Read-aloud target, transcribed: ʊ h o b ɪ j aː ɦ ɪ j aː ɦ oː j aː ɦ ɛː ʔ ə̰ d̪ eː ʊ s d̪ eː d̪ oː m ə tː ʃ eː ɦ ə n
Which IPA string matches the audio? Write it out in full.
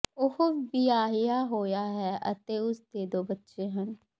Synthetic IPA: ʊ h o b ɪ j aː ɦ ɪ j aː ɦ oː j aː ɦ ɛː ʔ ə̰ t̪ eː ʊ s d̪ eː d̪ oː b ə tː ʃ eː ɦ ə n